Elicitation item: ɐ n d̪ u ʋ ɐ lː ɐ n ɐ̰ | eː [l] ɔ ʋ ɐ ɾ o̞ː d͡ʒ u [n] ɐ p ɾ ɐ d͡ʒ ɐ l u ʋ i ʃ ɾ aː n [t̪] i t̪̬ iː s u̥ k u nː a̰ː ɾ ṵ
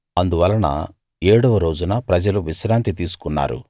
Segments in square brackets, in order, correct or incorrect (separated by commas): incorrect, correct, correct